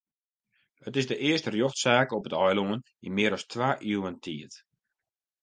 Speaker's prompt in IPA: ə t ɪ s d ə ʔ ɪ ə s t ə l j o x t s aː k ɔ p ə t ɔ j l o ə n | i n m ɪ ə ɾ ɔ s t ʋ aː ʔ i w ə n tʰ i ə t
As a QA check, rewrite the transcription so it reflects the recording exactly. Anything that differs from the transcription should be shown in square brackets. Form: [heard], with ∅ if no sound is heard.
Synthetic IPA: ə t ɪ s d ə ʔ ɪ ə s t ə [r] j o x t s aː k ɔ p ə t ɔ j l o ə n | i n m ɪ ə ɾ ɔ s t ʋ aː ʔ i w ə n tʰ i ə t